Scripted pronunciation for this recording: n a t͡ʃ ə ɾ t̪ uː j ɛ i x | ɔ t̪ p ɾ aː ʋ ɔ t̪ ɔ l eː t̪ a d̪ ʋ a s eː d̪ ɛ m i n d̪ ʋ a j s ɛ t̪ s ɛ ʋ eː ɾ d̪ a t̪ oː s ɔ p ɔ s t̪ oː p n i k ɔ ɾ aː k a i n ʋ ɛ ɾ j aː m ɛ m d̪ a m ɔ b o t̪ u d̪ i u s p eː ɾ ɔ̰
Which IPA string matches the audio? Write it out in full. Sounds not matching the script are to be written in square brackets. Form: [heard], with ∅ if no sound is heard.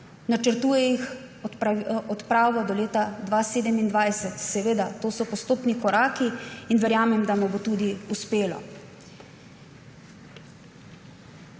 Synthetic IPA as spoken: n a t͡ʃ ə ɾ t̪ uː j ɛ i x | ɔ t̪ p ɾ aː ʋ ɔ [d̪] ɔ l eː t̪ a d̪ ʋ a s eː d̪ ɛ m i n d̪ ʋ a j s ɛ t̪ s ɛ ʋ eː [∅] d̪ a t̪ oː s ɔ p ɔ s t̪ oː p n i k ɔ ɾ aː k [i] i n ʋ ɛ ɾ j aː m ɛ m d̪ a m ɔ b o t̪ u d̪ i u s p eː [l] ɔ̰